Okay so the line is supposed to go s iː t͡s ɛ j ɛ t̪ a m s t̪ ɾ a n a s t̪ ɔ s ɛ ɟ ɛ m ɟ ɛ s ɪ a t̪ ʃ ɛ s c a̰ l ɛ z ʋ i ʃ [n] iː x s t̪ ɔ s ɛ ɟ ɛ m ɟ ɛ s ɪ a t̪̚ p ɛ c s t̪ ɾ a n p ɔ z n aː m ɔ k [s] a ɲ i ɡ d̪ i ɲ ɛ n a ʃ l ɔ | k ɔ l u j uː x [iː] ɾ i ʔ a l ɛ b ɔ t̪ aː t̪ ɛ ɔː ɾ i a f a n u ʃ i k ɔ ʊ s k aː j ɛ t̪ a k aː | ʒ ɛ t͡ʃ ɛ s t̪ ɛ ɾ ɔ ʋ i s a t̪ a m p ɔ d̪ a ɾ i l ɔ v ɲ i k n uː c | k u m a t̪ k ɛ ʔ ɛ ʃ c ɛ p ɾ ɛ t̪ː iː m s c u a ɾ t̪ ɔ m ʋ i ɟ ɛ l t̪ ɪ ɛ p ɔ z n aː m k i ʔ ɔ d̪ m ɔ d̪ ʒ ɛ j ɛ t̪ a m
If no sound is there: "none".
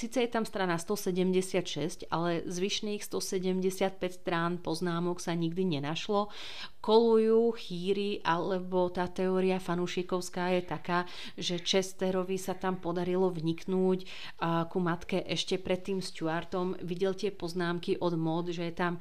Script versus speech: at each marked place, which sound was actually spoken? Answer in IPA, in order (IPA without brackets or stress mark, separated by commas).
n, s, iː